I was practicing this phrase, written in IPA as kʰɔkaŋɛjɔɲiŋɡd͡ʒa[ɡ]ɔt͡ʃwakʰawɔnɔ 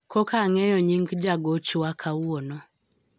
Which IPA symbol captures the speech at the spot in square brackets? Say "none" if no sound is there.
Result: ɡ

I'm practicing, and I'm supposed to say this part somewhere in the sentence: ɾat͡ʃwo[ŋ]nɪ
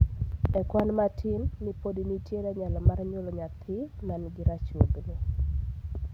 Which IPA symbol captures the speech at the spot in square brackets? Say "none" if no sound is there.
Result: ɡ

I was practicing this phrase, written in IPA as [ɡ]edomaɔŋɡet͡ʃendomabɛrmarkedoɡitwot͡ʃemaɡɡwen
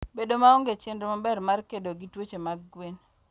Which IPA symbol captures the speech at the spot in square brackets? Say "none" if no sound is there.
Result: b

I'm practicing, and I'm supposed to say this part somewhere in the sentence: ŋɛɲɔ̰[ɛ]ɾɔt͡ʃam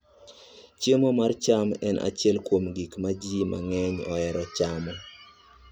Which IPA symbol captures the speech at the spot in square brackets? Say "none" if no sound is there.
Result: ɛ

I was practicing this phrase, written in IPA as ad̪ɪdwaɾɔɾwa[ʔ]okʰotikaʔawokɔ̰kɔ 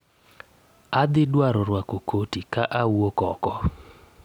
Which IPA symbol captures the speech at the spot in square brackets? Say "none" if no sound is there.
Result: k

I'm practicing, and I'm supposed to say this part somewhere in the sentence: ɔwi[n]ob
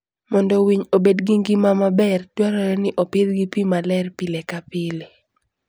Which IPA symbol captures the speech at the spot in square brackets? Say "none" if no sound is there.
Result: ɲ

